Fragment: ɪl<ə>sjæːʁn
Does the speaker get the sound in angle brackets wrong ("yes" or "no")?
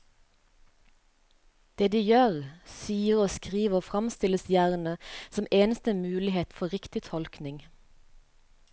no